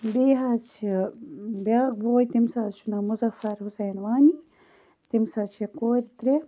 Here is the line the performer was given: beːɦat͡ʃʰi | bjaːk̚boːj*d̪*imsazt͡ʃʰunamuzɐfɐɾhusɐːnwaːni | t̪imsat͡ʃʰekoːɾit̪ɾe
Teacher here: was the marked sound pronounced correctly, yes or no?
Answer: no